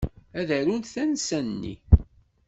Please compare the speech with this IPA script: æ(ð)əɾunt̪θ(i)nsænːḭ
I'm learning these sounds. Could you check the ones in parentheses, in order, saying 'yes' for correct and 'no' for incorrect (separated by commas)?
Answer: yes, no